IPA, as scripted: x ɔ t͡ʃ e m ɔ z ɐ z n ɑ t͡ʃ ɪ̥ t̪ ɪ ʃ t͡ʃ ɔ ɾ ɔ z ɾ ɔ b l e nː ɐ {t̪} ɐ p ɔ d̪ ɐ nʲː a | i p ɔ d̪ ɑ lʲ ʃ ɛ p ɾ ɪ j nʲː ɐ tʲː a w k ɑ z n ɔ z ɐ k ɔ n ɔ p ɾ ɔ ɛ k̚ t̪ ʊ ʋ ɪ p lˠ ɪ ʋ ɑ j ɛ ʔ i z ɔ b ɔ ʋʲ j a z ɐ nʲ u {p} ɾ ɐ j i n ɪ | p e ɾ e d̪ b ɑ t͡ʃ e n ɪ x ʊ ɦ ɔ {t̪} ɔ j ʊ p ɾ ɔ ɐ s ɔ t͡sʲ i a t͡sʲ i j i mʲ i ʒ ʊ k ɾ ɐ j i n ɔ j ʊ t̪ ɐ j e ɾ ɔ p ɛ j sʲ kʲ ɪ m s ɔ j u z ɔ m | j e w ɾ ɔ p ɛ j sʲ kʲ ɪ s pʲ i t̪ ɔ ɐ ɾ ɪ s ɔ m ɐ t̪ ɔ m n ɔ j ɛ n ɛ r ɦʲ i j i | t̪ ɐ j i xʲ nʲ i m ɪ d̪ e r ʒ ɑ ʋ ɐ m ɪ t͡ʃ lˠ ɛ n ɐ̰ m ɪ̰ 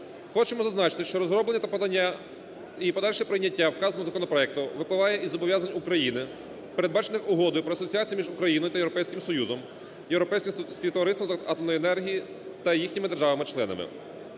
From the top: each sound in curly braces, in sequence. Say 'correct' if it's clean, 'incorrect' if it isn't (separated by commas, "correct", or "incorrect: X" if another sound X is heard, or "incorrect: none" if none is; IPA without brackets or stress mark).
correct, incorrect: k, incorrect: d̪